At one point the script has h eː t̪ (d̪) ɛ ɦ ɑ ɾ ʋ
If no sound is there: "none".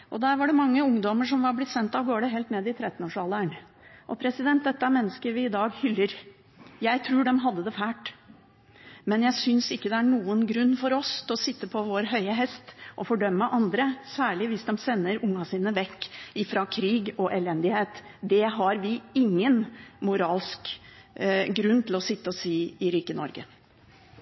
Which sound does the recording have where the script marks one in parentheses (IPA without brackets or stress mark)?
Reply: d̪